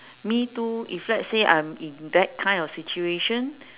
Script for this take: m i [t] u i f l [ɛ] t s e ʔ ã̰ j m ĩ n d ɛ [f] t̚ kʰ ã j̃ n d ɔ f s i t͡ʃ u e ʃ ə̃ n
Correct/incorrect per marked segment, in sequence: correct, correct, incorrect

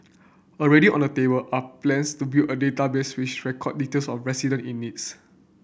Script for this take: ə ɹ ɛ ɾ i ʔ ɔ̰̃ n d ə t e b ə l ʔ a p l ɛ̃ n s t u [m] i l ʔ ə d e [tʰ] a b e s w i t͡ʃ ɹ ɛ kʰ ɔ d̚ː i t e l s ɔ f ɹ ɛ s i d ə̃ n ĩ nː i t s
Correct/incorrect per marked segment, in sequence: incorrect, incorrect

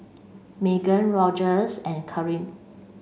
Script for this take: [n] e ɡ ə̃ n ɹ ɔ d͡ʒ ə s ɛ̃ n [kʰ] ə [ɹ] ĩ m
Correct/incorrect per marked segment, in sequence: incorrect, correct, correct

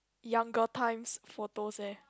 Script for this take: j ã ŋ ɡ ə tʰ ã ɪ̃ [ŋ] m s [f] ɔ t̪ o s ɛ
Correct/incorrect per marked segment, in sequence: incorrect, correct

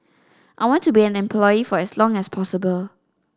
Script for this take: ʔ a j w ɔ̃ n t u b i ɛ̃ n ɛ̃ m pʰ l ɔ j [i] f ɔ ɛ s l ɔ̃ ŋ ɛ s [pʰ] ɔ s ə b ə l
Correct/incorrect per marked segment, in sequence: correct, correct

